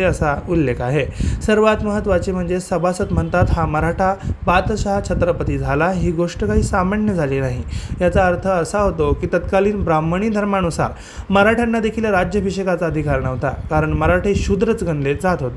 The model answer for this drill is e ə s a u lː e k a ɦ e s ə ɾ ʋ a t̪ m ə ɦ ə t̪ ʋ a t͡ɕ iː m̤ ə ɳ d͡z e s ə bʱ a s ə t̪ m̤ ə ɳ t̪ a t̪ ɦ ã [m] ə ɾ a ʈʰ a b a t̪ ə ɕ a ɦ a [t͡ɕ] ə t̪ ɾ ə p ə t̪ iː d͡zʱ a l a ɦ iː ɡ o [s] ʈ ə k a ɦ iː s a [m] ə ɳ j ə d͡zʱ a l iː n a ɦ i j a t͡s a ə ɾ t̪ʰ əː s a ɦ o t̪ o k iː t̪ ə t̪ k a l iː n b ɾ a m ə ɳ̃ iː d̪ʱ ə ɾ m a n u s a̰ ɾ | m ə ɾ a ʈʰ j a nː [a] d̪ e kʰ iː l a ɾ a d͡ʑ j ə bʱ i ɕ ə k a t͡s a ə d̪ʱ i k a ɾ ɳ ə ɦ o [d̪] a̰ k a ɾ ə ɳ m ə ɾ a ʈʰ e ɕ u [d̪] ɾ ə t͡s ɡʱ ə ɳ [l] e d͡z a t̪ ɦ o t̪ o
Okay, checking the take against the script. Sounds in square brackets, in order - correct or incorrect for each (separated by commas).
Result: correct, incorrect, incorrect, correct, correct, incorrect, correct, correct